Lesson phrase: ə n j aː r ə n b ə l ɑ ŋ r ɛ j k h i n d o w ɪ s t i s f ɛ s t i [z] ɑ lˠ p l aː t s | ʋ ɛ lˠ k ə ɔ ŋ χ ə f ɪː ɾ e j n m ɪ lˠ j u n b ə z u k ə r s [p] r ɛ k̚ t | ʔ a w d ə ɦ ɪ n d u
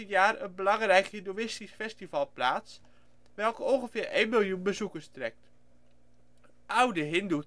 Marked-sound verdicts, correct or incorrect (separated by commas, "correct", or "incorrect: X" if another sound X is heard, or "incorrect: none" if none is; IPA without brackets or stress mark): incorrect: v, incorrect: t